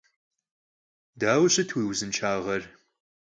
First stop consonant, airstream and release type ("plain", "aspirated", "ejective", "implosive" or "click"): plain